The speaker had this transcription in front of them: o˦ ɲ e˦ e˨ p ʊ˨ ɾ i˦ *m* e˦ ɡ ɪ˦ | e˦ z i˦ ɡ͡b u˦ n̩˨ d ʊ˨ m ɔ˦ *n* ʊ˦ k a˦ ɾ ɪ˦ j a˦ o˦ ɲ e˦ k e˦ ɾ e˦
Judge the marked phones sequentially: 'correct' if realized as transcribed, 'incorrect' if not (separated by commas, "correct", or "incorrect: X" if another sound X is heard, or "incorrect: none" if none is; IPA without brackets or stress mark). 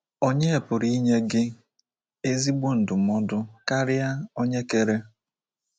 incorrect: ɲ, incorrect: d